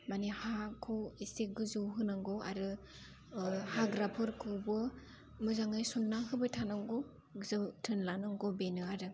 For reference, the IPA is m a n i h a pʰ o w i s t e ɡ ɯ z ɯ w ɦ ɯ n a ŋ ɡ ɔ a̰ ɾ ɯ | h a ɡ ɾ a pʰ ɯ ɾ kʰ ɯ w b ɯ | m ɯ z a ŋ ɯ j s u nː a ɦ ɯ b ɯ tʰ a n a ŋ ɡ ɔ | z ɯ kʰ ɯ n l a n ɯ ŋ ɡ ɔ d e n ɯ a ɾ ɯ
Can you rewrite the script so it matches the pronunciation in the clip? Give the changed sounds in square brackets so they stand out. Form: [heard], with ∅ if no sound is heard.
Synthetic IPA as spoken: m a n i h a [kʰ] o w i s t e ɡ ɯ z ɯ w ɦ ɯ n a ŋ ɡ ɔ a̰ ɾ ɯ | h a ɡ ɾ a pʰ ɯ ɾ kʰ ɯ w b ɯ | m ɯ z a ŋ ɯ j s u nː a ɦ ɯ b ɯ tʰ a n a ŋ ɡ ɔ | z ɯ [tʰ] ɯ n l a n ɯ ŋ ɡ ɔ [b] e n ɯ a ɾ ɯ